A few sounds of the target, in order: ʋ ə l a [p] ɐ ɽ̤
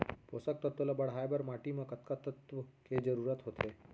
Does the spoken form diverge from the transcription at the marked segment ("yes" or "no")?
yes